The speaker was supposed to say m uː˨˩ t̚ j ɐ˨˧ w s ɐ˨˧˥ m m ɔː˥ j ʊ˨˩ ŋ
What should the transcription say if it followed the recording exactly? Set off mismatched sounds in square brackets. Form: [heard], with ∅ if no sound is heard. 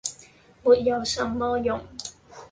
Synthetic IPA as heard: m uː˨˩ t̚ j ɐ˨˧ w s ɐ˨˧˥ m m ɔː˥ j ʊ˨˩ ŋ